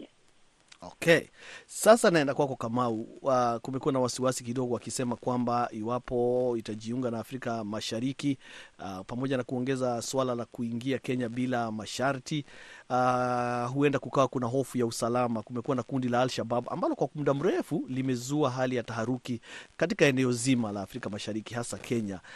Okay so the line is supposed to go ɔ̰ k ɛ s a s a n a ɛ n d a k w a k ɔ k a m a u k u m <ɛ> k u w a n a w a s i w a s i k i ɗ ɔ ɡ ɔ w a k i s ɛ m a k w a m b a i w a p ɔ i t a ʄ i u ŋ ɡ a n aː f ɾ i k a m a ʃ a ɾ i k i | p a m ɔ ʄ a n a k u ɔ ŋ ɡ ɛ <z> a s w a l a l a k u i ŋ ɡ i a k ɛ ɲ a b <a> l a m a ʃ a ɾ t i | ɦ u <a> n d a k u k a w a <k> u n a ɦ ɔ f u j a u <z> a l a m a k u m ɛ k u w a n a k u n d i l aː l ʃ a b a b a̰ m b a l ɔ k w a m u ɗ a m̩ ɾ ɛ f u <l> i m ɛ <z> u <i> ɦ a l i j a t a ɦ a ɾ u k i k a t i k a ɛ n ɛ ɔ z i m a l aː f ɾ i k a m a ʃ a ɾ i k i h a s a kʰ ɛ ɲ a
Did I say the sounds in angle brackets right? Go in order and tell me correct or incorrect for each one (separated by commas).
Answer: correct, correct, incorrect, incorrect, correct, incorrect, correct, correct, incorrect